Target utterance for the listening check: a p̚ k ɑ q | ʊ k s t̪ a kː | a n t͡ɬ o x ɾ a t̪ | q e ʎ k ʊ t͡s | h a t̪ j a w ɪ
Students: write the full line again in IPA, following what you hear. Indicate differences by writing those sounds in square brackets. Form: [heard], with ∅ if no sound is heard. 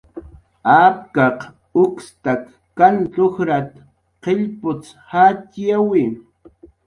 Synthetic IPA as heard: a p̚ k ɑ q | ʊ k s t̪ a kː | a n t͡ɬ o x ɾ a t̪ | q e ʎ [p] ʊ t͡s | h a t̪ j a w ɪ